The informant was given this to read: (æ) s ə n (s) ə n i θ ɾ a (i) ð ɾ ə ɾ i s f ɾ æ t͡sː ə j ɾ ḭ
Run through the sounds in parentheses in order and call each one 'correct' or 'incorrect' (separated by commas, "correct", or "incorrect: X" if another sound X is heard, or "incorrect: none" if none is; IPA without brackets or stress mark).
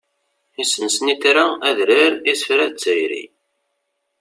incorrect: i, correct, incorrect: æ